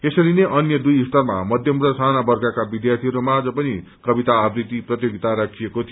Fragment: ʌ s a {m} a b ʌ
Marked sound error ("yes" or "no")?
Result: yes